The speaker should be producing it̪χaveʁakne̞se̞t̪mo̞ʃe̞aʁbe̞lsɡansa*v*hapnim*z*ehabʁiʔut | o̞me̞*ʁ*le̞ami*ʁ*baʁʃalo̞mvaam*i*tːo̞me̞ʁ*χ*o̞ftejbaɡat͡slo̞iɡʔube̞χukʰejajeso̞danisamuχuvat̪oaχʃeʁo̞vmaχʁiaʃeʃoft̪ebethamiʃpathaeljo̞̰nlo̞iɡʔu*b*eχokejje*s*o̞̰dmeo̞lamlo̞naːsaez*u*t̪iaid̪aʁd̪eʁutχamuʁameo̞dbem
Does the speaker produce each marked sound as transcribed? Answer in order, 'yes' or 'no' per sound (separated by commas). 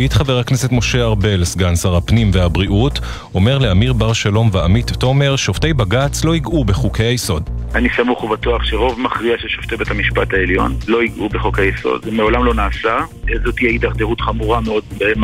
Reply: no, no, yes, yes, yes, no, yes, yes, no